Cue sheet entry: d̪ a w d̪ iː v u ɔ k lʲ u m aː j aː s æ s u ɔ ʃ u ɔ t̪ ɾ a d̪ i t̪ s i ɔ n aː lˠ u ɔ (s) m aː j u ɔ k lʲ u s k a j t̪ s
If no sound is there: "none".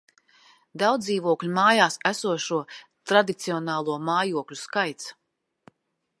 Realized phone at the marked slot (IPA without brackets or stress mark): none